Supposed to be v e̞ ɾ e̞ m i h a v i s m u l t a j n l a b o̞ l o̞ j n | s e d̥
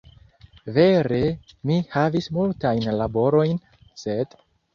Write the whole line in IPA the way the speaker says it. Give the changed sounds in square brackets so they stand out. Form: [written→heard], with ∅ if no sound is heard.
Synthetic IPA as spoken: v e̞ ɾ e̞ m i h a v i s m u l t a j n l a b o̞ [l→ɾ] o̞ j n | s e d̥